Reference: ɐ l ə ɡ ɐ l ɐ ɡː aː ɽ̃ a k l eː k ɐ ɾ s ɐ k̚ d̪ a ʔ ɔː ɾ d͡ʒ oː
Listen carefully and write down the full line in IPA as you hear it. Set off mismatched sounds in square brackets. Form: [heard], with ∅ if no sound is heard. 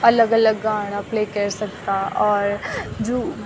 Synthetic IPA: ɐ l ə ɡ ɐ l [ə] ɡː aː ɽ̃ a [p] l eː k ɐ ɾ s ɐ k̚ [t̪] a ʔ ɔː ɾ d͡ʒ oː